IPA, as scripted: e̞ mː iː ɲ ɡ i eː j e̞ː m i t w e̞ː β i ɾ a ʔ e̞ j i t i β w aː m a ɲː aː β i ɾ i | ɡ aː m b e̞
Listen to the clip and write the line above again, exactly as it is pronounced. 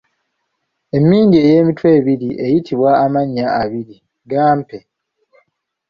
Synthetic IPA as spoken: e̞ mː iː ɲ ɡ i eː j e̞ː m i t w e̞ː β i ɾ i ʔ e̞ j i t i β w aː m a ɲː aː β i ɾ i | ɡ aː m p e̞